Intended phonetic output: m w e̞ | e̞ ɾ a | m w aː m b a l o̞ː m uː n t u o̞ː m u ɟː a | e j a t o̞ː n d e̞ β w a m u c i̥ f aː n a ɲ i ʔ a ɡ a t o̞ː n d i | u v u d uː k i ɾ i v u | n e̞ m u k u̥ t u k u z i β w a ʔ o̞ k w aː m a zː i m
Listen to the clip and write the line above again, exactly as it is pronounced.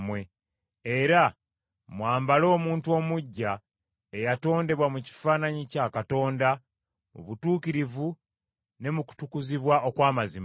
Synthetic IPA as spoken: m w e̞ | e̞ ɾ a | m w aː m b a l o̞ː m uː n t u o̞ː m u ɟː a | e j a t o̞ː n d e̞ β w a m u c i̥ f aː n a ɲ i c a k a t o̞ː n d a | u β u t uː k i ɾ i v u | n e̞ m u k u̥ t u k u z i β w a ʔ o̞ k w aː m a z i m